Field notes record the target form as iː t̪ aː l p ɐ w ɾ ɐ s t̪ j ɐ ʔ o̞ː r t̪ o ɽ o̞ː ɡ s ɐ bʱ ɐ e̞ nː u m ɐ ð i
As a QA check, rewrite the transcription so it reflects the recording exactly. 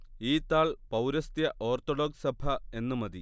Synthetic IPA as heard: iː t̪ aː ɭ p ɐ w ɾ ɐ s t̪ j ɐ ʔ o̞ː r t̪ o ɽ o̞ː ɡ s ɐ bʱ ɐ e̞ nː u m ɐ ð i

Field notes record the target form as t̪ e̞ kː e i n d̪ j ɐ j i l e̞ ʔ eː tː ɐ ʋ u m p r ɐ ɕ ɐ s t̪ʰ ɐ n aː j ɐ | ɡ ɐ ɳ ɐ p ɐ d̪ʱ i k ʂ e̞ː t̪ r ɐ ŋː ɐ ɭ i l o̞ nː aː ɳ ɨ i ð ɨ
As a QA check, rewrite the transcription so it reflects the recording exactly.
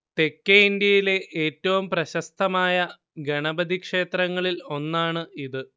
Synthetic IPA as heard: t̪ e̞ kː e i n d̪ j ɐ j i l e̞ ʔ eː tː ɐ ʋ u m p r ɐ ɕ ɐ s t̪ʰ ɐ m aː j ɐ | ɡ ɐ ɳ ɐ b ɐ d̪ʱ i k ʂ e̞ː t̪ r ɐ ŋː ɐ ɭ i l o̞ nː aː ɳ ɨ i ð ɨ

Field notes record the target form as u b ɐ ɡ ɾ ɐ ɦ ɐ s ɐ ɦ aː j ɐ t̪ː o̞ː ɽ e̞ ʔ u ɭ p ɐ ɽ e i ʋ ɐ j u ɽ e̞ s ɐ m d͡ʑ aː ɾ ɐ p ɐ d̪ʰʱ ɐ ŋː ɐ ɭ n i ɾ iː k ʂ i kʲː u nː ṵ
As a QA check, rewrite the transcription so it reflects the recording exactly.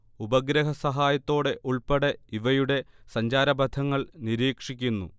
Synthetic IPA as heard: u b ɐ ɡ ɾ ɐ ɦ ɐ s ɐ ɦ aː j ɐ t̪ː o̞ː ɽ e̞ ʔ u ɭ p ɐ ɽ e i ʋ ɐ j u ɽ e̞ s ɐ ɲ d͡ʑ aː ɾ ɐ b ɐ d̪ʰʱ ɐ ŋː ɐ ɭ n i ɾ iː k ʂ i kʲː u nː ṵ

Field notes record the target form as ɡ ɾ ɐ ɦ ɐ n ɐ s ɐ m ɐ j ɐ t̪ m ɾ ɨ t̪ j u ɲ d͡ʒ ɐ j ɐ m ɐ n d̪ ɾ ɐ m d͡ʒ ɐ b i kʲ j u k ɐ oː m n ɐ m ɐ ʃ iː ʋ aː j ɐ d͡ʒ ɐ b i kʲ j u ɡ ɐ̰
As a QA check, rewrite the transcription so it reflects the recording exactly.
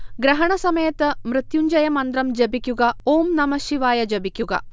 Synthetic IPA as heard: ɡ ɾ ɐ ɦ ɐ ɳ ɐ s ɐ m ɐ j ɐ t̪ m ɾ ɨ t̪ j u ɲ d͡ʒ ɐ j ɐ m ɐ n d̪ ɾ ɐ m d͡ʒ ɐ b i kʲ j u ɡ ɐ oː m n ɐ m ɐ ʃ i ʋ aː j ɐ d͡ʒ ɐ b i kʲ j u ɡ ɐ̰

